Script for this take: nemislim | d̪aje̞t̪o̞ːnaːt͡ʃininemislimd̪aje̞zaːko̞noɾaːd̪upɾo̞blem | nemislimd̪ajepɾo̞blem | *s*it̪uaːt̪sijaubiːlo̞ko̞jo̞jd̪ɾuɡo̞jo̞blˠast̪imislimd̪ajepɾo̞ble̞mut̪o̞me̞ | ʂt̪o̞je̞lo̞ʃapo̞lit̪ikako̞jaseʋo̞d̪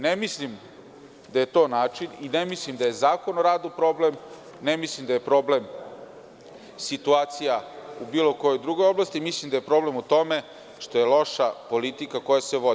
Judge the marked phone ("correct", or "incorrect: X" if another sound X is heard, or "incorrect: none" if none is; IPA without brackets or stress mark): correct